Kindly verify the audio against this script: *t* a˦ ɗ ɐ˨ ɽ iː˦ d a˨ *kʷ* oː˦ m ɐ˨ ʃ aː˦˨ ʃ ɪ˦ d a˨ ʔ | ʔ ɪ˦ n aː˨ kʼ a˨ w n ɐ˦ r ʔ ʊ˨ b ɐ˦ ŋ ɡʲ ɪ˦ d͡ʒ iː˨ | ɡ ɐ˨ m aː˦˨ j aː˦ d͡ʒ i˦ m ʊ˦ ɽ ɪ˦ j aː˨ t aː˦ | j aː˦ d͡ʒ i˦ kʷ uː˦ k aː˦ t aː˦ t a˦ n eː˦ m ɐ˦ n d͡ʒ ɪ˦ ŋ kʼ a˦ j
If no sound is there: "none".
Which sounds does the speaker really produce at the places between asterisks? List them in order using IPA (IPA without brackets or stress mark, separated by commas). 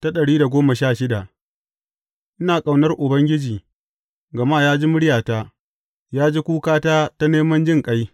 t, ɡʷ